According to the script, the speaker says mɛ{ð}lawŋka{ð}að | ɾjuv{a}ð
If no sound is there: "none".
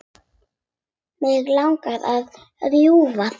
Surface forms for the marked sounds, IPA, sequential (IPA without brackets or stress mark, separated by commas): ɣ, ð, a